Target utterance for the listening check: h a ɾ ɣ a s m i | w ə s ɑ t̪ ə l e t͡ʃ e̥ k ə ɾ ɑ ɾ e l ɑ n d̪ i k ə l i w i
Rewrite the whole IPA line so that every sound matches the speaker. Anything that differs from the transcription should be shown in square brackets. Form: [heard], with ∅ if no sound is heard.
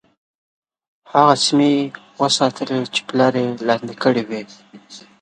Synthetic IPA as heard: h a [∅] ɣ a s m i | w ə s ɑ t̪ ə l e t͡ʃ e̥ [p] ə [l] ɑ ɾ e l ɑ n d̪ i k ə [ɽ] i w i